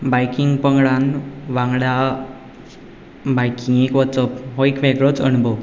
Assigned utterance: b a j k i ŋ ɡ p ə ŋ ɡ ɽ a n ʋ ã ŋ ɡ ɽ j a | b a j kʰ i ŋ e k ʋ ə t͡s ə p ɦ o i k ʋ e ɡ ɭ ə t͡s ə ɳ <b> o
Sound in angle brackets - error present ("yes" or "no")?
no